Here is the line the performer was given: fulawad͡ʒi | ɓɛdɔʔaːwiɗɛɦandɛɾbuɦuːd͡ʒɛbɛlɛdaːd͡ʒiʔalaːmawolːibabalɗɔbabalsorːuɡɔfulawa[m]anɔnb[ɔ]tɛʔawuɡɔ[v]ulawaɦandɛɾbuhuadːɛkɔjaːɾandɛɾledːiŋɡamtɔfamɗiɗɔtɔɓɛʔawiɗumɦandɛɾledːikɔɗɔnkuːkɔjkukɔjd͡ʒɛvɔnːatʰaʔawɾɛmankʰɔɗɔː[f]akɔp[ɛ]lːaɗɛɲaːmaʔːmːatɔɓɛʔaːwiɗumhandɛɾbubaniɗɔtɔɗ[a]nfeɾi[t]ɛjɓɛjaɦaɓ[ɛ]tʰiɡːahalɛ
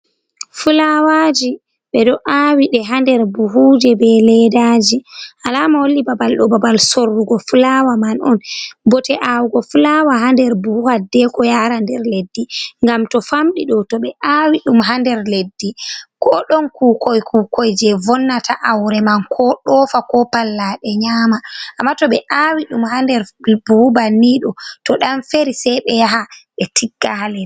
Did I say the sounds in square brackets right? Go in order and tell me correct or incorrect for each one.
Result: correct, correct, incorrect, correct, incorrect, correct, incorrect, correct

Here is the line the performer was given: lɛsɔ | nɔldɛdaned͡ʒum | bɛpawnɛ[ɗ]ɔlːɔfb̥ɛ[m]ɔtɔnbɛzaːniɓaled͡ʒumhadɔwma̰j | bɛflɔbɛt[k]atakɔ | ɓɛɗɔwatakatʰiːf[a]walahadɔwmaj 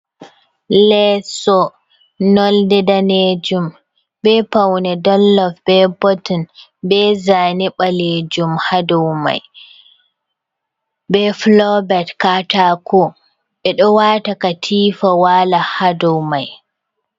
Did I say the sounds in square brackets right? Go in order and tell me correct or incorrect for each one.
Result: incorrect, incorrect, correct, correct

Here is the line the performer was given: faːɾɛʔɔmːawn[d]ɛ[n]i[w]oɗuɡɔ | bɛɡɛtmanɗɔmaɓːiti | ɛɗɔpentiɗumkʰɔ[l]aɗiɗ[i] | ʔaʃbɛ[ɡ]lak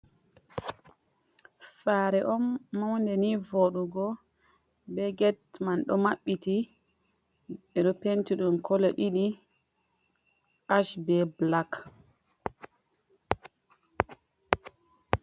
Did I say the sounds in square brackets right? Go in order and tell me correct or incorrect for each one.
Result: correct, correct, incorrect, correct, correct, incorrect

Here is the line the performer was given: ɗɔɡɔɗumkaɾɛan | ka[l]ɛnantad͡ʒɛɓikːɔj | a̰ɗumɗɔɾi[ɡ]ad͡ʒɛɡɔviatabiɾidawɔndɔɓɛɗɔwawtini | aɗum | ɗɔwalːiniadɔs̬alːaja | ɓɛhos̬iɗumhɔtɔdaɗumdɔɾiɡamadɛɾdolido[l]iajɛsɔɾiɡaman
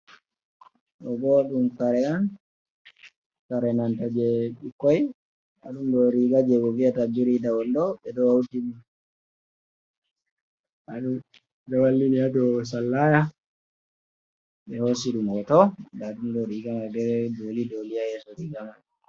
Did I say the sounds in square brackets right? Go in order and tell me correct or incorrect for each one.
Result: incorrect, correct, correct

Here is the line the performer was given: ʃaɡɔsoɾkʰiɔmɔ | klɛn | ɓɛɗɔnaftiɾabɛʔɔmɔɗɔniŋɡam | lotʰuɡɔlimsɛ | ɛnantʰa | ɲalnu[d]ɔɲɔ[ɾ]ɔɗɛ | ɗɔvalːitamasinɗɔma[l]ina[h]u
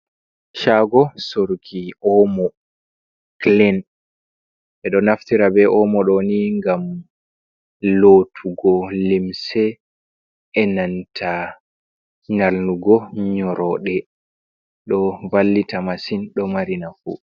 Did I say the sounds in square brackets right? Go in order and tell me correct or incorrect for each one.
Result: incorrect, correct, incorrect, incorrect

